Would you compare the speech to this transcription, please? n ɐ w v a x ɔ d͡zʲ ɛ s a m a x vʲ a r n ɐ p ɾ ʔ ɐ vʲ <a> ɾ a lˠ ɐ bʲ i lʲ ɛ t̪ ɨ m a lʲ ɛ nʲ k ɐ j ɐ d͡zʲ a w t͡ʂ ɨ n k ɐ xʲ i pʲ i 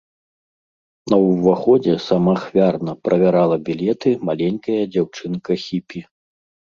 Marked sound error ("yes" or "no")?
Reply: no